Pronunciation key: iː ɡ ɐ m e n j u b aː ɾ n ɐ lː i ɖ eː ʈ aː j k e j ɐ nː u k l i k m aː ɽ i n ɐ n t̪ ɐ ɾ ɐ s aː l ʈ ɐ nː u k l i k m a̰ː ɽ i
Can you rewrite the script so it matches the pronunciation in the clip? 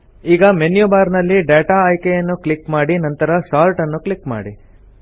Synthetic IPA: iː ɡ ɐ m e n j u b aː ɾ n ɐ lː i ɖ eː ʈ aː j k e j ɐ nː u k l i k m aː ɽ i n ɐ n t̪ ɐ ɾ ɐ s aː l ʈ ɐ nː u k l i k m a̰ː ɽ i